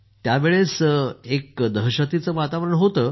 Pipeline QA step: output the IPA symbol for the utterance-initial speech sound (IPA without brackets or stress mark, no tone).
t̪